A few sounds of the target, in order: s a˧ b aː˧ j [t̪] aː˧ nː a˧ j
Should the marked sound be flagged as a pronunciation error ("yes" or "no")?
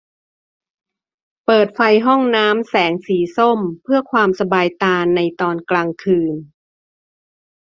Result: no